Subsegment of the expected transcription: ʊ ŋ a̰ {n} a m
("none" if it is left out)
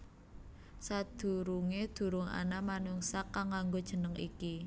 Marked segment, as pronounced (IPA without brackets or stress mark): n